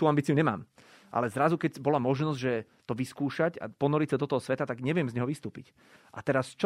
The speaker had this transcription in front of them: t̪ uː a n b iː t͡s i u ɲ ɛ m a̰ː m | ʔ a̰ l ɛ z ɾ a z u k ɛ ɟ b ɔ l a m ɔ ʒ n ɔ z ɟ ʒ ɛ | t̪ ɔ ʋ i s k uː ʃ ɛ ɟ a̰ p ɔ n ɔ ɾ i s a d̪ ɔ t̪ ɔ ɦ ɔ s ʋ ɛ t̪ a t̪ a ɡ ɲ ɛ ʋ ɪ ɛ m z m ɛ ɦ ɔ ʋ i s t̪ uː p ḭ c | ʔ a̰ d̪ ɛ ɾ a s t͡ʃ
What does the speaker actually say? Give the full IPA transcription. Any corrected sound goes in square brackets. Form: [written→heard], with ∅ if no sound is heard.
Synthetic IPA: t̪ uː a [n→m] b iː t͡s i u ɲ ɛ m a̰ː m | ʔ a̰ l ɛ z ɾ a z u k ɛ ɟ b ɔ l a m ɔ ʒ n ɔ z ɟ ʒ ɛ | t̪ ɔ ʋ i s k uː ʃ [ɛ→a] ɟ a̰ p ɔ n ɔ ɾ i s a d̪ ɔ t̪ ɔ ɦ ɔ s ʋ ɛ t̪ a t̪ a ɡ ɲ ɛ ʋ ɪ ɛ m z [m→ɲ] ɛ ɦ ɔ ʋ i s t̪ uː p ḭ c | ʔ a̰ [d̪→t̪] ɛ ɾ a s t͡ʃ